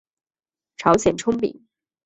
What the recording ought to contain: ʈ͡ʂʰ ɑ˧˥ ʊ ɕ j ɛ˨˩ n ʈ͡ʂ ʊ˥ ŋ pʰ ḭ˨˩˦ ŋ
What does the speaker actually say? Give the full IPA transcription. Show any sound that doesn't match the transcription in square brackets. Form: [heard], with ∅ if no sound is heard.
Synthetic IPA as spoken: ʈ͡ʂʰ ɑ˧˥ ʊ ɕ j ɛ˨˩ n [ʈ͡ʂʰ] ʊ˥ ŋ [p] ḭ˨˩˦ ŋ